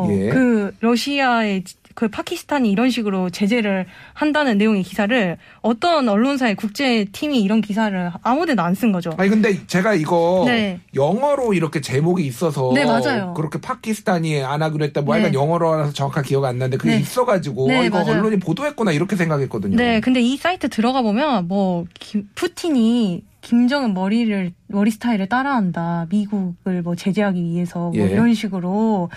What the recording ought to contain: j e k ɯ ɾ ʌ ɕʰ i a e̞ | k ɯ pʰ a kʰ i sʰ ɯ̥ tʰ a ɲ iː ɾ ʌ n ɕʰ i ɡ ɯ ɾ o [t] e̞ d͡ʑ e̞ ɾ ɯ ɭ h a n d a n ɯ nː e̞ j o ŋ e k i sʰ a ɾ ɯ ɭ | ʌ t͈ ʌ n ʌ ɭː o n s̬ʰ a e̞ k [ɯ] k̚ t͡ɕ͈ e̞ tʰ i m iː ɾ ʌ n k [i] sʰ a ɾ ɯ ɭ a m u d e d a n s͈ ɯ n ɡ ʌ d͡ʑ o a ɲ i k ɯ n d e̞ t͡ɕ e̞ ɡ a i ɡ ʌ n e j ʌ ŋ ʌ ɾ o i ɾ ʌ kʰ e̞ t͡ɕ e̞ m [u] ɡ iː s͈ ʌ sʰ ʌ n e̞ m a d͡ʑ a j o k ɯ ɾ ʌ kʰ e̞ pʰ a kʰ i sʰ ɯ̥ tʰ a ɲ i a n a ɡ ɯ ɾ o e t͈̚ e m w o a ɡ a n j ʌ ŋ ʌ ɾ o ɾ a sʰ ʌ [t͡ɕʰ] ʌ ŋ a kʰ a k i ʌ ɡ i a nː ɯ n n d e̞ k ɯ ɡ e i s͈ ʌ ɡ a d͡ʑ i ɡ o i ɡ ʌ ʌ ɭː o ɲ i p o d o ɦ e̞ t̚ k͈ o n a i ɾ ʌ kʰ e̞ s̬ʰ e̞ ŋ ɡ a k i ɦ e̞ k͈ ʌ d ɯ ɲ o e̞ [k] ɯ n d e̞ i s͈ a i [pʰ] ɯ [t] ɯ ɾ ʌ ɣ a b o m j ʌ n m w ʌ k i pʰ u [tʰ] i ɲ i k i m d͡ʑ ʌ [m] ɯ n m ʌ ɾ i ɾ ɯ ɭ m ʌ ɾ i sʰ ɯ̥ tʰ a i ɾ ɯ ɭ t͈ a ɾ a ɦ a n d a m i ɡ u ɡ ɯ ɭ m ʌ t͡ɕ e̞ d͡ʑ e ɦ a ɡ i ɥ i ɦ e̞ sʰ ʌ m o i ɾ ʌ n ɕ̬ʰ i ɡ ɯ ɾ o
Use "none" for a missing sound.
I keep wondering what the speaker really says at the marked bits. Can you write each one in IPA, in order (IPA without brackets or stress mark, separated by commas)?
t͡ɕ, u, i, o, t͡ɕ, k, tʰ, t, tʰ, ŋ